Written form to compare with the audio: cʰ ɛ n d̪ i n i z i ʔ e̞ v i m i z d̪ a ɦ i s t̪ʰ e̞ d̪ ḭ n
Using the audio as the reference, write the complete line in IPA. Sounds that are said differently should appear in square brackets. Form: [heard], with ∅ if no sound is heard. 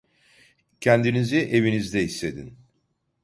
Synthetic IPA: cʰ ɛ n d̪ i n i z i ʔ e̞ v i [n] i z d̪ [ɛ] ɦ i s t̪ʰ e̞ d̪ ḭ n